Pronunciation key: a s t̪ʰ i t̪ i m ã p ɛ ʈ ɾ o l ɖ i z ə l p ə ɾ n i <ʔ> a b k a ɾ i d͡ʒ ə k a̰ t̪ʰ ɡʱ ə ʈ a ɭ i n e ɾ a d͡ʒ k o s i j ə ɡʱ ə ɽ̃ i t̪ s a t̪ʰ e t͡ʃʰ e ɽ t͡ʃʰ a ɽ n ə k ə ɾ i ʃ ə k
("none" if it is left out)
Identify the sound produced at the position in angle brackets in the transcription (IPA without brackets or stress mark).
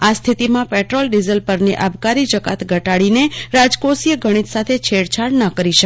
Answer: ʔ